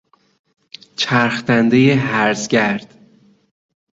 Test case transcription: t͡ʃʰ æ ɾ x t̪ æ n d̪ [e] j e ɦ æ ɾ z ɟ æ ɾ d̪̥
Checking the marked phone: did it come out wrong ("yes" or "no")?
no